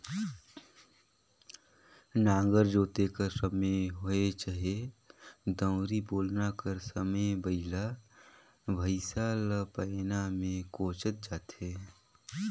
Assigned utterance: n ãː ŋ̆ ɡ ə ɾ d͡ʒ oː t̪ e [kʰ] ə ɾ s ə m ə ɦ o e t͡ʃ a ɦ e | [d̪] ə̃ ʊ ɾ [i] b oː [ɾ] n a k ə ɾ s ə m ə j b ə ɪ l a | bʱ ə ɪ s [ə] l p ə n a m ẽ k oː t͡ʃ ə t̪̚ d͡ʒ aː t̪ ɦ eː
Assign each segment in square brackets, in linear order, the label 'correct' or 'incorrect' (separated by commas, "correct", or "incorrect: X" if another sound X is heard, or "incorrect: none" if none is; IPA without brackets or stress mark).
incorrect: k, correct, correct, incorrect: l, incorrect: a